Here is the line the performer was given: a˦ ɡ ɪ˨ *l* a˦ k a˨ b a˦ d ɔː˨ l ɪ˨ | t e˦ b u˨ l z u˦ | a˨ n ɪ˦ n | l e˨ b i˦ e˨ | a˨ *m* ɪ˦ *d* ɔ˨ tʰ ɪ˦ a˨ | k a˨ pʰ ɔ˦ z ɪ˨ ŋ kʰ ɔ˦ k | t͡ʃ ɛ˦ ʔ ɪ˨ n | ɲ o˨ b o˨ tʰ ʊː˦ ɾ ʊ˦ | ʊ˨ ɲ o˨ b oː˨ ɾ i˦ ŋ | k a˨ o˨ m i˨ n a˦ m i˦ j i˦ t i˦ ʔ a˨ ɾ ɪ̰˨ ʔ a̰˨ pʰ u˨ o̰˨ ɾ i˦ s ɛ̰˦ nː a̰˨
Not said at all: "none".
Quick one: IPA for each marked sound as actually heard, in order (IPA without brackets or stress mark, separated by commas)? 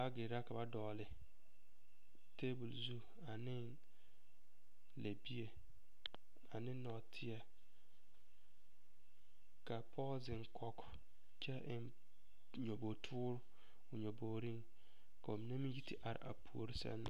ɾ, n, n